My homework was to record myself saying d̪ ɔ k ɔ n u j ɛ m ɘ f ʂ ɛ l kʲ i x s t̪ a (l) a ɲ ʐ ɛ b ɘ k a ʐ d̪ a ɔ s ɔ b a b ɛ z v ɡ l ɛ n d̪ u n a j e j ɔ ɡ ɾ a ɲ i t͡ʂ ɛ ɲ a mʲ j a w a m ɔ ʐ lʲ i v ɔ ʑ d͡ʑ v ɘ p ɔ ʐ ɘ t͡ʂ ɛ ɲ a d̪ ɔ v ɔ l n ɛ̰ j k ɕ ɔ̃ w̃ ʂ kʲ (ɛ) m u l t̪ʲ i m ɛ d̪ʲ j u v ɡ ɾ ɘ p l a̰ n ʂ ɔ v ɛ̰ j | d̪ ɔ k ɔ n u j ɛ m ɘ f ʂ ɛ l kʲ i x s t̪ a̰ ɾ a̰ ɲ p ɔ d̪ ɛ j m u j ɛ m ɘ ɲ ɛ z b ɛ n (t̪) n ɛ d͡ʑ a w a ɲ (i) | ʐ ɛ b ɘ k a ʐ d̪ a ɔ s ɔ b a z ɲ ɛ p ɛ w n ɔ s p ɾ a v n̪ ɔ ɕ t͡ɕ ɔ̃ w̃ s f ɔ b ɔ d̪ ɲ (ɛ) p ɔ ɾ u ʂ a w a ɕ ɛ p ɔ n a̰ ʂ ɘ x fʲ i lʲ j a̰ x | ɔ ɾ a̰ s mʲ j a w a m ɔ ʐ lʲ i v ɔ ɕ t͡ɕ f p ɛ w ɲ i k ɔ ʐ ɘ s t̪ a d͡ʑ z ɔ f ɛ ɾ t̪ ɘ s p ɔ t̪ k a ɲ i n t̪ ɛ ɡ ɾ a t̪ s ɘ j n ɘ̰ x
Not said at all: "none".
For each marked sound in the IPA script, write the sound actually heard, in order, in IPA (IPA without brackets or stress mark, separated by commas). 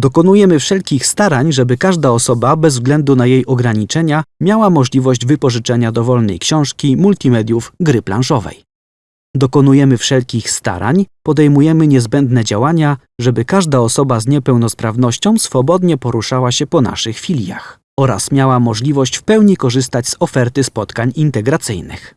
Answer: ɾ, i, d̪, a, ɛ